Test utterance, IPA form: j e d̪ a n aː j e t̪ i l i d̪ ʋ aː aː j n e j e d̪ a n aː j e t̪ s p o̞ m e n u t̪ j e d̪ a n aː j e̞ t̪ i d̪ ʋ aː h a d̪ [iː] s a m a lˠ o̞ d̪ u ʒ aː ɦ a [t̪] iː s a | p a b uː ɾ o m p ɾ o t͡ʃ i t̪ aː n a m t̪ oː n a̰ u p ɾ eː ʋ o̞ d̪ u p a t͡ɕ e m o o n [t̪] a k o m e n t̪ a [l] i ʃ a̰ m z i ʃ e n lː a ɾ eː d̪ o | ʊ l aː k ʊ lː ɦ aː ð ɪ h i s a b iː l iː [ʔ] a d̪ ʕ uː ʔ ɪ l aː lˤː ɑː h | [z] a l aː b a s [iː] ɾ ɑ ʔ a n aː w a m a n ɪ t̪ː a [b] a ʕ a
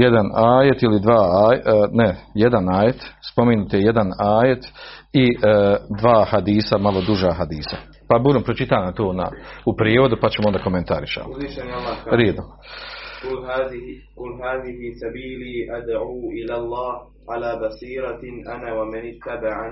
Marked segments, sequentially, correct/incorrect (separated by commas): correct, incorrect, incorrect, incorrect, correct, incorrect, correct, correct